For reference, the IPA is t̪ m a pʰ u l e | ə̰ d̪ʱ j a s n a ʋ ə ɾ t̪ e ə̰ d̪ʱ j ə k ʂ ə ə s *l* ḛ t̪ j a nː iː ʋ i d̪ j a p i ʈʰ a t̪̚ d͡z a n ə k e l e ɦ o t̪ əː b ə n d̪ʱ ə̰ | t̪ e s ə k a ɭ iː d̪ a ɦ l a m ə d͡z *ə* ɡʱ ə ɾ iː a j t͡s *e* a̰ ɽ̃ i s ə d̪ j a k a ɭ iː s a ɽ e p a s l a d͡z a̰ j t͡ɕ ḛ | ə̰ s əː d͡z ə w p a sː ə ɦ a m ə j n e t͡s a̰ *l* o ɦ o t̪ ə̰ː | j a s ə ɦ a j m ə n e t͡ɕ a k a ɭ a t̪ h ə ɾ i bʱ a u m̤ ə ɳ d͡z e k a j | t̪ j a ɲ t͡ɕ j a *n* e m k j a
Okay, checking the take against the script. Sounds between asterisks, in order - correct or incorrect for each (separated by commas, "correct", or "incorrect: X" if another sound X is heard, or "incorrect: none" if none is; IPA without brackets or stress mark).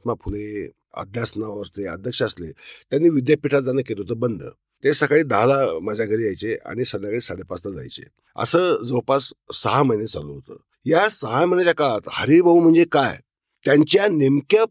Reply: correct, incorrect: a, correct, correct, correct